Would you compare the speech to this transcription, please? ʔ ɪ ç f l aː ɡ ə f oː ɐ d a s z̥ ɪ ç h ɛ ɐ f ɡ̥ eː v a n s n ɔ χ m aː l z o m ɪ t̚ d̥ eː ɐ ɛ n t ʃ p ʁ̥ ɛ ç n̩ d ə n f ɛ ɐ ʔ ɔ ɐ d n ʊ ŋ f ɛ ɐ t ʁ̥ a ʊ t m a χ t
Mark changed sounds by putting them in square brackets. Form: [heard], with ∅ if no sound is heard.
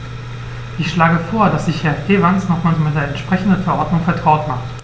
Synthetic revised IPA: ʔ ɪ ç [ʃ] l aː ɡ ə f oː ɐ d a s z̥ ɪ ç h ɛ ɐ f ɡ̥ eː v a n s n ɔ χ m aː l z o m ɪ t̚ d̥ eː ɐ ɛ n t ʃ p ʁ̥ ɛ ç n̩ d ə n f ɛ ɐ ʔ ɔ ɐ d n ʊ ŋ f ɛ ɐ t ʁ̥ a ʊ t m a χ t